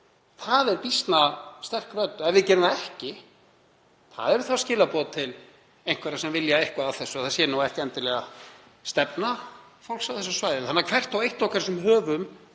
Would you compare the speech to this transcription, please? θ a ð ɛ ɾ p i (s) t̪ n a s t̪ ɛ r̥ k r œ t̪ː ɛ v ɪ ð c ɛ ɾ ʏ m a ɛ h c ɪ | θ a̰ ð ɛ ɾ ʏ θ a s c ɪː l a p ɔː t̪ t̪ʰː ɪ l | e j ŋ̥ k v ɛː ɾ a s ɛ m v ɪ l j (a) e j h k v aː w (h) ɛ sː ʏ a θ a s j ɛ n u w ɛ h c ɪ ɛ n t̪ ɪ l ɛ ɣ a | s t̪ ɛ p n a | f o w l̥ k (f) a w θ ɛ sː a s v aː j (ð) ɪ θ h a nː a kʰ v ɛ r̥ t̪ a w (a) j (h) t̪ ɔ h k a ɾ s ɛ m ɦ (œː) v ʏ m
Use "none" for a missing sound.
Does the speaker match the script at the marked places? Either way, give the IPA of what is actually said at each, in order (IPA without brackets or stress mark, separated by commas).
s, a, θ, s, ð, e, h, œː